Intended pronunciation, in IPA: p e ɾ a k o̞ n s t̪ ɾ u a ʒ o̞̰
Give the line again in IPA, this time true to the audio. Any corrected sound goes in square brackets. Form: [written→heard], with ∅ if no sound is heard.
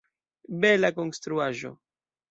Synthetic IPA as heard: [p→b] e [ɾ→l] a k o̞ n s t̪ ɾ u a ʒ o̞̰